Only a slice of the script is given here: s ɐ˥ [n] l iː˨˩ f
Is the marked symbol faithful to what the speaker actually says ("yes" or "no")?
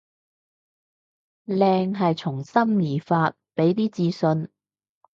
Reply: no